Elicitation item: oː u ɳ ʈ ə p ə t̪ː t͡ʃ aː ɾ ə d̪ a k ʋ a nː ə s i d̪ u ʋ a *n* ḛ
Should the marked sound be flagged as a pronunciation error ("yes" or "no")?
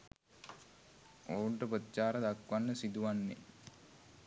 yes